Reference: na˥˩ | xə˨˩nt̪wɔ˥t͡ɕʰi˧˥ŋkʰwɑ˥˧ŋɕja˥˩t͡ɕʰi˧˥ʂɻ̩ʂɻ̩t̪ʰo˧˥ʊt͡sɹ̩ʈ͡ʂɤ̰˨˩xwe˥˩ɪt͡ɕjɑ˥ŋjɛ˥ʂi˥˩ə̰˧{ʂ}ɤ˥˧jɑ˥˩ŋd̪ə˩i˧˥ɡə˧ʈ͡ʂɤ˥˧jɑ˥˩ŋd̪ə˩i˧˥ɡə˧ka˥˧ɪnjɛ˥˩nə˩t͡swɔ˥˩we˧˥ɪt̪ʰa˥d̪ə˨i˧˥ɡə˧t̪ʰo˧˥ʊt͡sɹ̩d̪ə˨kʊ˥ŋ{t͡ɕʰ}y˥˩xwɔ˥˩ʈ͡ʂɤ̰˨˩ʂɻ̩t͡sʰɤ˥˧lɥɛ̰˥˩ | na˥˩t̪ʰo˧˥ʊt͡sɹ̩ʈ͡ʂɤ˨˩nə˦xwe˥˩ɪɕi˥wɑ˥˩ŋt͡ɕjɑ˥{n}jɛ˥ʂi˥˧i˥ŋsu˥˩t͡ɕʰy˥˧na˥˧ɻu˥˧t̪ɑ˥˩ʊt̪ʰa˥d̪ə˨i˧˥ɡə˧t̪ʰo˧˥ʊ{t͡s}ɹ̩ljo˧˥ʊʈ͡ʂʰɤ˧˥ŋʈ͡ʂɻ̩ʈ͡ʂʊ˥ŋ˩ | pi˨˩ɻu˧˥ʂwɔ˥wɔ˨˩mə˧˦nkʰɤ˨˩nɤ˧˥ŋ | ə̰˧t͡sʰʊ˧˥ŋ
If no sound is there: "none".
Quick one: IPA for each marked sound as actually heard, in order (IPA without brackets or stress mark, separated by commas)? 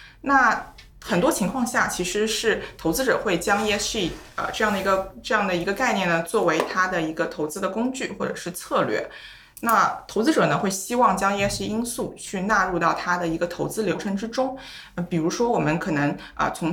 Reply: ʈ͡ʂ, t͡ɕ, ŋ, t͡s